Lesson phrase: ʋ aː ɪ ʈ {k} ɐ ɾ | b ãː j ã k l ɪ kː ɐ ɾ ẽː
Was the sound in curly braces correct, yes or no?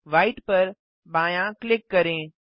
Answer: no